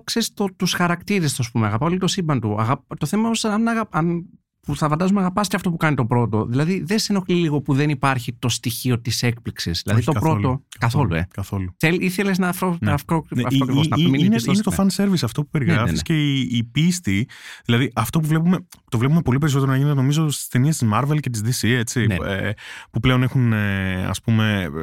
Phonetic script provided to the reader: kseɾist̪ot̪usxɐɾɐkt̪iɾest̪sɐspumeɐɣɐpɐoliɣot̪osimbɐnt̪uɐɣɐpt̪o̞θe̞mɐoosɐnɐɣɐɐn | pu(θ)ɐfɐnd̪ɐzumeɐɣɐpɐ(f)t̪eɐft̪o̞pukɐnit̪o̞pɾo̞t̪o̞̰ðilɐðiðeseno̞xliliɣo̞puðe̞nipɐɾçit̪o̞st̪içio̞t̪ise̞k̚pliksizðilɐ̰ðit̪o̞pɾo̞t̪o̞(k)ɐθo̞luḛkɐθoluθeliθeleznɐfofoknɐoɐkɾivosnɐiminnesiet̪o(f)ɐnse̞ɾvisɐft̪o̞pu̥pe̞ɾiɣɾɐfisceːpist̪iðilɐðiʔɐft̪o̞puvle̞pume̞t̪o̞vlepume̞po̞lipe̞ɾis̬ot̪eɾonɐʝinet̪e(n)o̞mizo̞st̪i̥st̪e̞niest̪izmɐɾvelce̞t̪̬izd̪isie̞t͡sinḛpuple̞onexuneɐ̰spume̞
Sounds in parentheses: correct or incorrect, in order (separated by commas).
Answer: correct, incorrect, correct, correct, correct